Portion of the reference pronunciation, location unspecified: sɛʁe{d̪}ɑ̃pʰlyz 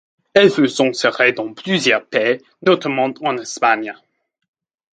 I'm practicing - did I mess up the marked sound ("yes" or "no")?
no